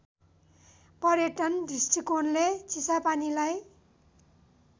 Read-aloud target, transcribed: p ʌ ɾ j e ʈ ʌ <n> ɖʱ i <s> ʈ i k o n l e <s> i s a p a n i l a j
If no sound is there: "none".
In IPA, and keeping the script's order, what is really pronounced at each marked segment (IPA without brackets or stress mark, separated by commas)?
n, s, t͡s